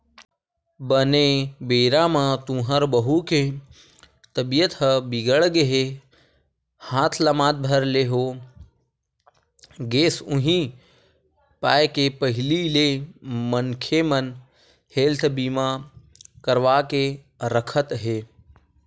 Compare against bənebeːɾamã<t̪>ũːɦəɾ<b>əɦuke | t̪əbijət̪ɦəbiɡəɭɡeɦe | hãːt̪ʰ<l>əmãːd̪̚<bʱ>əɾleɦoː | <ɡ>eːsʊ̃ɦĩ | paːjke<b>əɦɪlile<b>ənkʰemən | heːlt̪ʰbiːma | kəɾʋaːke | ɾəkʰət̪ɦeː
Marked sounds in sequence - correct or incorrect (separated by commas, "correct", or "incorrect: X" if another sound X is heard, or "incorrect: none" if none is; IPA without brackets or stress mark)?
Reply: correct, correct, correct, correct, correct, incorrect: p, incorrect: m